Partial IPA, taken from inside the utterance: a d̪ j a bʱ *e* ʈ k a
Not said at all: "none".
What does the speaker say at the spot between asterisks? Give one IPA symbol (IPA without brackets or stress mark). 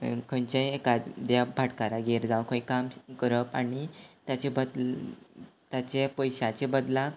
a